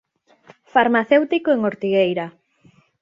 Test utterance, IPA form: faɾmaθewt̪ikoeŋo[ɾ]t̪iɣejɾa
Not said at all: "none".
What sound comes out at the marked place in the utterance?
ɾ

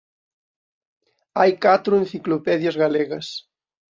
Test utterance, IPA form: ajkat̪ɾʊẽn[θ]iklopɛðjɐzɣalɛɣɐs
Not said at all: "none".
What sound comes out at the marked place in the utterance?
θ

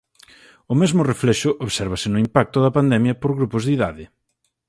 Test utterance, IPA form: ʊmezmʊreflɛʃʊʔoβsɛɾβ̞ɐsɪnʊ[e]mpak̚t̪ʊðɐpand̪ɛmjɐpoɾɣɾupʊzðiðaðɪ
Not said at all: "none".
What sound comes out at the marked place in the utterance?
i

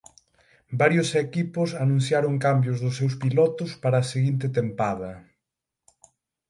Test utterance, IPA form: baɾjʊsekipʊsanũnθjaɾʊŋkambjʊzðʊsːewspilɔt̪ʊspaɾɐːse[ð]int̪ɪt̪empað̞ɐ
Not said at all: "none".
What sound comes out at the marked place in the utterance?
ɣ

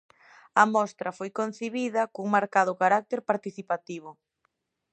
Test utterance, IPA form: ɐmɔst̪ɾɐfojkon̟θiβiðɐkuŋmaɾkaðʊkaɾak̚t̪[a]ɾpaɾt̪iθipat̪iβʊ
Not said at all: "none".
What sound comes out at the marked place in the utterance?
e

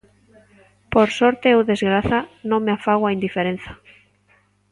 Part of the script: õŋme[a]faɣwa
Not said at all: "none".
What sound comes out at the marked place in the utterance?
a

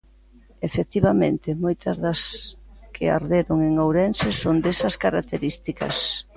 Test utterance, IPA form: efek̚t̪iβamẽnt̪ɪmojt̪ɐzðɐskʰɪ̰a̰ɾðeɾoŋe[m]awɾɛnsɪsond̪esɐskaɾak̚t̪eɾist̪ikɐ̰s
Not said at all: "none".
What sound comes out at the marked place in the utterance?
ŋ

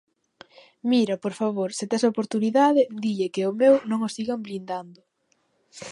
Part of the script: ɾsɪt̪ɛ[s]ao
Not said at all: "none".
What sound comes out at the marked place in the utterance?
s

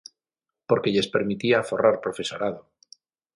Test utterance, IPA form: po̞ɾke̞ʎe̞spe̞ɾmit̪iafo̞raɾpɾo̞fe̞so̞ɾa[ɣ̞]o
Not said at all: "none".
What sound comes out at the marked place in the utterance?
ð̞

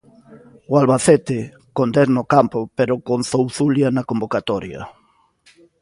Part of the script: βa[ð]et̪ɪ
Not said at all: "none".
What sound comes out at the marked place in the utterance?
θ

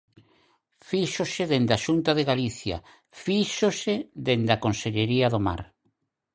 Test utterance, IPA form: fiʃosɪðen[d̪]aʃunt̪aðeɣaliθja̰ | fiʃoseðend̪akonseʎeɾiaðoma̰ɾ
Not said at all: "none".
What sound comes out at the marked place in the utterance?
d̪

